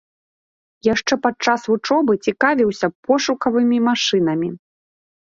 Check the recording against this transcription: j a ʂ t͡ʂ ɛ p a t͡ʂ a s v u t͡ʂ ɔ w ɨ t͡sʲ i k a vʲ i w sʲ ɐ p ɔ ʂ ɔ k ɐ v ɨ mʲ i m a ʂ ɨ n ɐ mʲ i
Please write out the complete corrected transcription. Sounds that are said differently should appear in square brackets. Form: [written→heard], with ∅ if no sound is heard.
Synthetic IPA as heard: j a ʂ t͡ʂ ɛ p a t͡ʂ a s v u t͡ʂ ɔ [w→b] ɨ t͡sʲ i k a vʲ i w sʲ ɐ p ɔ ʂ [ɔ→u] k ɐ v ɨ mʲ i m a ʂ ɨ n ɐ mʲ i